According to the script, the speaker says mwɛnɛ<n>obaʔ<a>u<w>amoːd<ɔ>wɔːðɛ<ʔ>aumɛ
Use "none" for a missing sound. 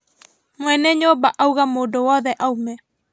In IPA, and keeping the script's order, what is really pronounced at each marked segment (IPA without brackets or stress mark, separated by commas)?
ɲ, a, ɣ, o, ʔ